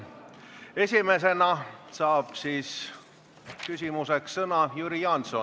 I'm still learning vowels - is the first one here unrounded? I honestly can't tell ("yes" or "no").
yes